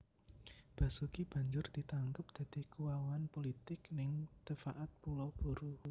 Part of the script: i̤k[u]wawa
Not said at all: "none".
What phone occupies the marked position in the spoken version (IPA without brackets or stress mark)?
u